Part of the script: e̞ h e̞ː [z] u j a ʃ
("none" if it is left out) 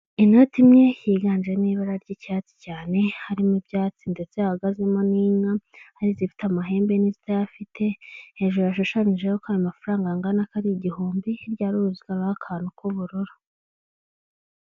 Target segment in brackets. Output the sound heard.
ʒ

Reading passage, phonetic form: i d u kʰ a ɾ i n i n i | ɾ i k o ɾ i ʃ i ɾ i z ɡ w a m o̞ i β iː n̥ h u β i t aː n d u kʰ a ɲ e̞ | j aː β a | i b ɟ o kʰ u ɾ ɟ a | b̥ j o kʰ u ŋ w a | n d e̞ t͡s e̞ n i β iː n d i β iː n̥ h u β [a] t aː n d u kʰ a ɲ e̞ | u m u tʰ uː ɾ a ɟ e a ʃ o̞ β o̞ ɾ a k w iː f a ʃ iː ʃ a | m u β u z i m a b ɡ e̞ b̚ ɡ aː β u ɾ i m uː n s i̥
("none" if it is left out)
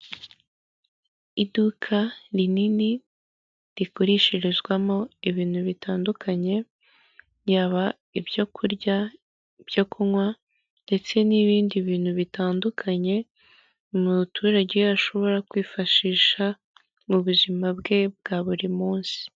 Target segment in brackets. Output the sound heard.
i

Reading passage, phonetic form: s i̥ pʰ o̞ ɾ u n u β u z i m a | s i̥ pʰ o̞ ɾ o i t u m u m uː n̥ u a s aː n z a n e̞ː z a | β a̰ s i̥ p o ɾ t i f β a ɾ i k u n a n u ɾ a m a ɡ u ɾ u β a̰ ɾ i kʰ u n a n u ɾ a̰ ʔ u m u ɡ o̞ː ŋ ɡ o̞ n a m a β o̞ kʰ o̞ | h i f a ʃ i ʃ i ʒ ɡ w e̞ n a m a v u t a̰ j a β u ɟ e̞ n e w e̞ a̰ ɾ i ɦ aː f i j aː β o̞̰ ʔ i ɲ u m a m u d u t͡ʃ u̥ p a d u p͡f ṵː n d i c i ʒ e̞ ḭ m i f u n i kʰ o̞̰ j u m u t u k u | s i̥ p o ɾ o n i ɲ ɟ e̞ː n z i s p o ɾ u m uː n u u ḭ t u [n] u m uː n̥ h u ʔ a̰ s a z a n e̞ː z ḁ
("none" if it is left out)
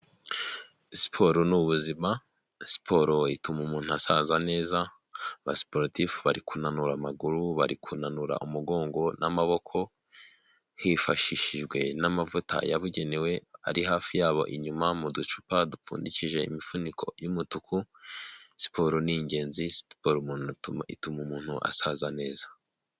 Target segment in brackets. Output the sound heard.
m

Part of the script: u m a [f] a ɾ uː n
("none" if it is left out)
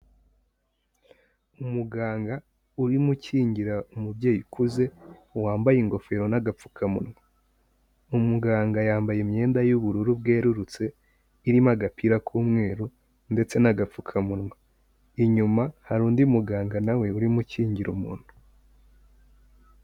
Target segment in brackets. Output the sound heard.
h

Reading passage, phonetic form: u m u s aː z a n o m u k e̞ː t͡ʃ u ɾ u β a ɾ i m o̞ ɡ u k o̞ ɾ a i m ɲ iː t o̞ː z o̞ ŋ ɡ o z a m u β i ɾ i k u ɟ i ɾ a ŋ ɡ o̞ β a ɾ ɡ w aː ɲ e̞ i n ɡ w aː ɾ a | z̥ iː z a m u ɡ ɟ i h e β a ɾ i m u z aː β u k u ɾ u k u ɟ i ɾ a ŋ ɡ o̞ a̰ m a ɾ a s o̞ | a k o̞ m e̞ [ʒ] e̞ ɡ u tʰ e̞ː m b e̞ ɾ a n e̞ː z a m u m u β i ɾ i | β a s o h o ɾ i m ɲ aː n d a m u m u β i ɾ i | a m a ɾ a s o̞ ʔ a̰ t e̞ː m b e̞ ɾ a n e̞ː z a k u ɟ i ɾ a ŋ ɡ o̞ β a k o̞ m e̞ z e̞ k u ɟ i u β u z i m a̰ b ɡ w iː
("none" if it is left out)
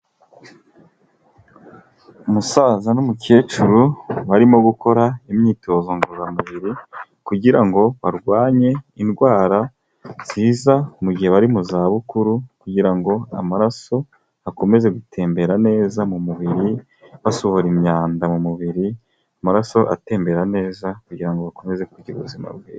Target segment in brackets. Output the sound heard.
z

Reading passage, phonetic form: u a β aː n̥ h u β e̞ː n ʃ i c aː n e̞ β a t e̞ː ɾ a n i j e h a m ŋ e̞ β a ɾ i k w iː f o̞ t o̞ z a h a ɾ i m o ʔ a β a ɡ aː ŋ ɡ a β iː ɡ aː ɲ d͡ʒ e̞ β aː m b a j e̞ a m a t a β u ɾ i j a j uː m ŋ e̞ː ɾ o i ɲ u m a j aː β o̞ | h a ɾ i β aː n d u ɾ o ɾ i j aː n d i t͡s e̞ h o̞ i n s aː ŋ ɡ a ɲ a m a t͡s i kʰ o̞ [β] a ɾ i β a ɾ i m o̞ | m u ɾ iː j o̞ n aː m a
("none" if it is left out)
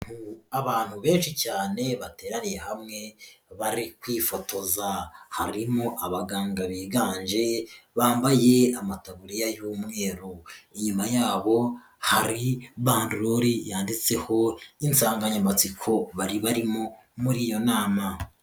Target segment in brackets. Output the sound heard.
β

